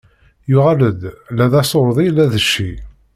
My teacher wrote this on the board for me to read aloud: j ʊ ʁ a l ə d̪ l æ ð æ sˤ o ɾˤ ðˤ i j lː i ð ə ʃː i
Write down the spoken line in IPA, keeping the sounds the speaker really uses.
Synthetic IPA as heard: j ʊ ʁ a l ə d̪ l æ ð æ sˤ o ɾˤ ðˤ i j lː æ ð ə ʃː i